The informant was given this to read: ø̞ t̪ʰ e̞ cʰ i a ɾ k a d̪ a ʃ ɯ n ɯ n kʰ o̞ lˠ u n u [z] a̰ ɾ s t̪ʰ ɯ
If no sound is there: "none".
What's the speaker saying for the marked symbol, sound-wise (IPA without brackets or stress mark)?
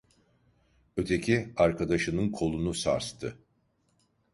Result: s